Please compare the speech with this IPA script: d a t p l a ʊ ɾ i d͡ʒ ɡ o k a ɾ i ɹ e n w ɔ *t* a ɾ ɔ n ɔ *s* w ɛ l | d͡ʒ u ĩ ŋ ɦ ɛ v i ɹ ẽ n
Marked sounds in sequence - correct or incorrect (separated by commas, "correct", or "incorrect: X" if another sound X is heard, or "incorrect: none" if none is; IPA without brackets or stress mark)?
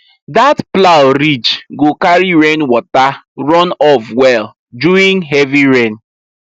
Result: correct, incorrect: f